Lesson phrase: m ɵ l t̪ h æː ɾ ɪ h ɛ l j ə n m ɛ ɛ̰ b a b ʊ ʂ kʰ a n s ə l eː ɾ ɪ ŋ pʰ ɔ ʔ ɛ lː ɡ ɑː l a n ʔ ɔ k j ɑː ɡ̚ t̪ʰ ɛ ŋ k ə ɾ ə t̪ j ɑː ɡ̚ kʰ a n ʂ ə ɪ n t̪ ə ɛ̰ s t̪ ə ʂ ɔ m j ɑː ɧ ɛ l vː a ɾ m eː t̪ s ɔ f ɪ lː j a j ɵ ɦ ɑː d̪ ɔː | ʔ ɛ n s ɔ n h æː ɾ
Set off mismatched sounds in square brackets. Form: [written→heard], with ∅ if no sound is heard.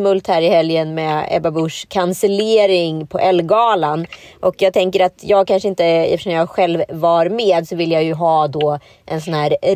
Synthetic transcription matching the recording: m ɵ l t̪ h æː ɾ ɪ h ɛ l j ə n m ɛ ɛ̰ b a b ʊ ʂ kʰ a n s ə l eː ɾ ɪ ŋ pʰ ɔ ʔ ɛ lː ɡ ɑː l a n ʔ ɔ k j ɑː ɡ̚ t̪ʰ ɛ ŋ k ə ɾ [ə→a] t̪ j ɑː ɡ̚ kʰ a n ʂ ə ɪ n t̪ ə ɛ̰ [s→f] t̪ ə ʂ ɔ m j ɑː ɧ ɛ l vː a ɾ m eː [t̪→d̪] s ɔ [f→v] ɪ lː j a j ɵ ɦ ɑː d̪ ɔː | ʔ ɛ n s ɔ n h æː ɾ